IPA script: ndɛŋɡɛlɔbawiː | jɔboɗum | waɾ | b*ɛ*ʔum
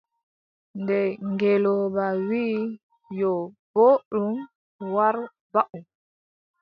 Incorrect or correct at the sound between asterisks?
incorrect: a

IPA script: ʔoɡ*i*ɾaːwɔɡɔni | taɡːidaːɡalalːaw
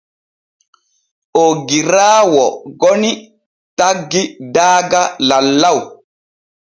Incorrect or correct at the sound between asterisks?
correct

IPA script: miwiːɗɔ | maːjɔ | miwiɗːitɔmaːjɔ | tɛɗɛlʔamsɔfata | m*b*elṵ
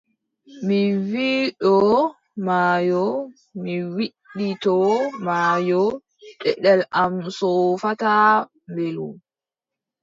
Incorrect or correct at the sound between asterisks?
correct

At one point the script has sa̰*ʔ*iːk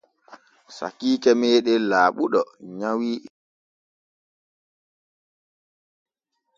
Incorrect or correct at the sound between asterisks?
incorrect: k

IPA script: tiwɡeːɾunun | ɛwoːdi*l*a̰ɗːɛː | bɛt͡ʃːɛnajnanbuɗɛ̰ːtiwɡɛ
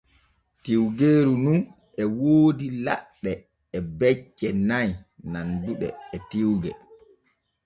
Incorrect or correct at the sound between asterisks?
correct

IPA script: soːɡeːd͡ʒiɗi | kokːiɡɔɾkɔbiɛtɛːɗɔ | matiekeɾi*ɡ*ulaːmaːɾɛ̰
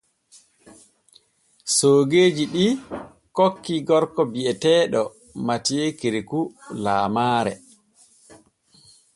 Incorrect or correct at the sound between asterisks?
incorrect: k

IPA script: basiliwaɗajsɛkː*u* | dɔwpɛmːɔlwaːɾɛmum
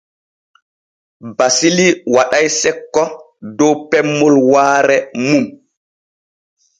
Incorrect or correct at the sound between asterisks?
incorrect: ɔ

